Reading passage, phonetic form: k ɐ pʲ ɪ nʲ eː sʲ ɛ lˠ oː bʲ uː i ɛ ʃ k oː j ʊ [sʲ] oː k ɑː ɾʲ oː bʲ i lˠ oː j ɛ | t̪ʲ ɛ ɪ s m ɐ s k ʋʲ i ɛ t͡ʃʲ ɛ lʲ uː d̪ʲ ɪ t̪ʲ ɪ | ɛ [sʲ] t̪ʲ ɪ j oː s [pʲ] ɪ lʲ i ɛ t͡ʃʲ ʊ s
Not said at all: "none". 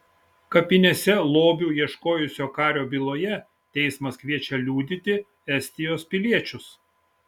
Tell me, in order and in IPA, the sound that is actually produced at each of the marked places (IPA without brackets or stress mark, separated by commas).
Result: sʲ, sʲ, pʲ